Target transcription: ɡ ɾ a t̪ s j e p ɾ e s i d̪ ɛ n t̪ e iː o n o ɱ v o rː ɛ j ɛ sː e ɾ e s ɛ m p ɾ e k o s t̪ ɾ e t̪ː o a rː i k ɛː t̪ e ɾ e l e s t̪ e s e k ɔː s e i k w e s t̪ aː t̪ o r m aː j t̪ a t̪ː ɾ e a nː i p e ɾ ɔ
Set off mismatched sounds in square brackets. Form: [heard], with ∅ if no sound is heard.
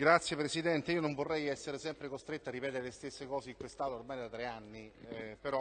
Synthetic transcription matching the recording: ɡ ɾ a t̪ s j e p ɾ e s i d̪ ɛ n t̪ e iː o n o ɱ v o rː ɛ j ɛ sː e ɾ e s ɛ m p ɾ e k o s t̪ ɾ e t̪ː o a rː i [p] ɛː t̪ e ɾ e l e s t̪ e [sː] e k ɔː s e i k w e s t̪ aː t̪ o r m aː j [d̪] a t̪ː ɾ e a nː i p e ɾ ɔ